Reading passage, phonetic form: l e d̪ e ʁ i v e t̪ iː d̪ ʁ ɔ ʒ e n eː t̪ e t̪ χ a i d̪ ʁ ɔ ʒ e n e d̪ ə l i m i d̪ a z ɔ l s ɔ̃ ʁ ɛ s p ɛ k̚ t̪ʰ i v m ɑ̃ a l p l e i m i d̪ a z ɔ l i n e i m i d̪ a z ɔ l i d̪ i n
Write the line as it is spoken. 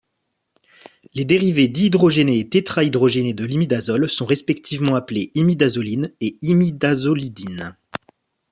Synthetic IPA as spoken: l e d̪ e ʁ i v e d̪ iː d̪ ʁ ɔ ʒ e n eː t̪ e t̪ χ a i d̪ ʁ ɔ ʒ e n e d̪ ə l i m i d̪ a z ɔ l s ɔ̃ ʁ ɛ s p ɛ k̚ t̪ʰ i v m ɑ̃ a p l e i m i d̪ a z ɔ l i n e i m i d̪ a z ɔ l i d̪ i n